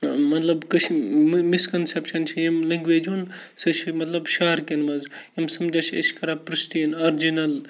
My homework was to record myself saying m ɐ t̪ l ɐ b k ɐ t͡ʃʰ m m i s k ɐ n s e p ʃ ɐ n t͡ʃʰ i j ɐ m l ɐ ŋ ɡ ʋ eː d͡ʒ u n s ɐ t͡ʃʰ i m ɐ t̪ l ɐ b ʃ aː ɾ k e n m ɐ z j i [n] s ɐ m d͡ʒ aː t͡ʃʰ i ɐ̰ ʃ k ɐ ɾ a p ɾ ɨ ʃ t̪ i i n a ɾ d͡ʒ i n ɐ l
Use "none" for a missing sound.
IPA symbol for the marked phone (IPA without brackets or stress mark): m